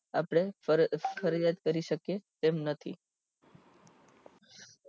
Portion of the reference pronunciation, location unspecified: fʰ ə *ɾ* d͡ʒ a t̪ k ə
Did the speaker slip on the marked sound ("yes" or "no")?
no